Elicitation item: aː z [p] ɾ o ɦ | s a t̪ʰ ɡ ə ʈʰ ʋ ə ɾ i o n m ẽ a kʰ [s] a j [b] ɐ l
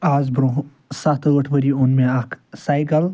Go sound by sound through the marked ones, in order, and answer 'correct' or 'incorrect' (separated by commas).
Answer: incorrect, correct, incorrect